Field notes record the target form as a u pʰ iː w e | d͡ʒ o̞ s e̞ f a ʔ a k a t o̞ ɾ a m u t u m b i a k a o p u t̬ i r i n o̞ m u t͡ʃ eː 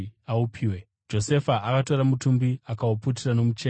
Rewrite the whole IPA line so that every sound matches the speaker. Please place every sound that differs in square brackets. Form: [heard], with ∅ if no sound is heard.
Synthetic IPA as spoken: a u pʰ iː w e | d͡ʒ o̞ s e̞ f a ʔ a k a t o̞ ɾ a m u t u m b i a k a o p u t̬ i r [a] n o̞ m u t͡ʃ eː